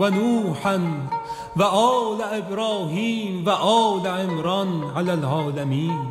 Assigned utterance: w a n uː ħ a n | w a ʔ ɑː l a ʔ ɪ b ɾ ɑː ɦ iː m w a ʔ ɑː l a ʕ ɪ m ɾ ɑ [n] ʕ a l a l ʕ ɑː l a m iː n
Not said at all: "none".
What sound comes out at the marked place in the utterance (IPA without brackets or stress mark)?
n